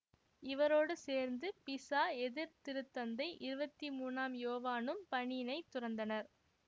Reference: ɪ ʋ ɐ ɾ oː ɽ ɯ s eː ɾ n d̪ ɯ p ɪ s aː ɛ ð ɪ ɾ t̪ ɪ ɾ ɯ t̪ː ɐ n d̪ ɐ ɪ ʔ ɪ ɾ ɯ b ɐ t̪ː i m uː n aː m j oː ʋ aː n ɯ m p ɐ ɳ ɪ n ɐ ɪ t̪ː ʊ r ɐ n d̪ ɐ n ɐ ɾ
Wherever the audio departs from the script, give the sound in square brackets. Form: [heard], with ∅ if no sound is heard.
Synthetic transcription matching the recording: ɪ ʋ ɐ ɾ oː ɽ ɯ s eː ɾ n d̪ ɯ p ɪ s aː ɛ ð ɪ ɾ t̪ ɪ ɾ ɯ t̪ː ɐ n d̪ ɐ ɪ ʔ ɪ ɾ ɯ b ɐ t̪ː i m uː n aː m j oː ʋ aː n ɯ m p ɐ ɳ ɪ n ɐ ɪ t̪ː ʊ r ɐ n d̪ ɐ n ɐ ɾ